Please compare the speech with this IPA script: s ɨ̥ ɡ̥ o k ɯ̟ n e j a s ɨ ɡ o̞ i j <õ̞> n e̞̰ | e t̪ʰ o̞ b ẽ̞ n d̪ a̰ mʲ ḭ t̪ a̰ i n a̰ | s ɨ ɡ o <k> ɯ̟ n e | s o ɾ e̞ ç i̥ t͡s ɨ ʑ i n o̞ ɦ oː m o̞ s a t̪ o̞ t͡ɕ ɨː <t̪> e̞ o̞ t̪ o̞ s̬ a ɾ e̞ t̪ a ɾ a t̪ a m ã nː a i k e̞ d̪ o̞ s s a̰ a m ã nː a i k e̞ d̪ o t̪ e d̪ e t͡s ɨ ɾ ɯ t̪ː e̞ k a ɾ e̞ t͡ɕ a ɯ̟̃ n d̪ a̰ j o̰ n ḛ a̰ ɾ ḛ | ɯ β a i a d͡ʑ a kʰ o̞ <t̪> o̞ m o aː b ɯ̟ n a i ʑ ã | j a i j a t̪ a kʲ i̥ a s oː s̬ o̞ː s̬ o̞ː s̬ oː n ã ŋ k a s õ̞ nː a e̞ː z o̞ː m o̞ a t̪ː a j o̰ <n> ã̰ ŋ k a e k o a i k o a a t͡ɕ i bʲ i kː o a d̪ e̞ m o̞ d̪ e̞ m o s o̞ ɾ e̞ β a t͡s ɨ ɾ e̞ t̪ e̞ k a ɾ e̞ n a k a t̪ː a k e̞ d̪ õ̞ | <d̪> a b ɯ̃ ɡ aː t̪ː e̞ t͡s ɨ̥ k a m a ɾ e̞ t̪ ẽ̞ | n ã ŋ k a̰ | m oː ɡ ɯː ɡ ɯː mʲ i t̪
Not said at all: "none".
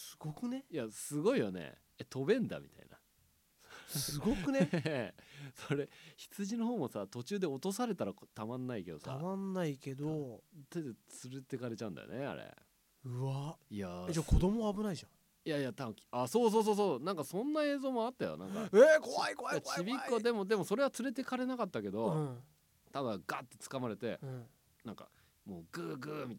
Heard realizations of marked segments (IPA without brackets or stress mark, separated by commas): o̞, k, d̪, d̪, n, t̪